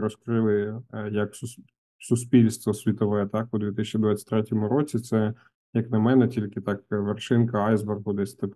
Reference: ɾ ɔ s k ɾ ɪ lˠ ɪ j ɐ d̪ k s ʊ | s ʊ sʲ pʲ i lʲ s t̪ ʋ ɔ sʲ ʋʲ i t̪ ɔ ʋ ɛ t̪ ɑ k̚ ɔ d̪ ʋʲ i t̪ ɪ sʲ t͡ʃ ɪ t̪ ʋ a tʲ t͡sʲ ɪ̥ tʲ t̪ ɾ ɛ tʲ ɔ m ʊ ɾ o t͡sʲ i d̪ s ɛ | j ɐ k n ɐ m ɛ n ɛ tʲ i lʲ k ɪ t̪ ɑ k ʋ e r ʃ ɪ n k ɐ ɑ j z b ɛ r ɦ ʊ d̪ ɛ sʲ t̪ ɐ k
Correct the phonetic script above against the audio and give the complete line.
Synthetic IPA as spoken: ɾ ɔ s k ɾ ɪ lˠ ɪ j ɐ k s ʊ | s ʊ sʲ pʲ i lʲ s t̪ ʋ ɔ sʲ ʋʲ i t̪ ɔ ʋ ɛ t̪ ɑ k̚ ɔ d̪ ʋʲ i t̪ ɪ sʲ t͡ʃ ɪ d̪ ʋ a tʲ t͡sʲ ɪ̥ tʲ t̪ ɾ ɛ tʲ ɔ m ʊ ɾ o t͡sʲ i t̪ s ɛ | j ɐ k n ɐ m ɛ n ɛ tʲ i lʲ k ɪ t̪ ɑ k ʋ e r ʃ ɪ n k ɐ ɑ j z b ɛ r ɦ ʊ d̪ ɛ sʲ t̪ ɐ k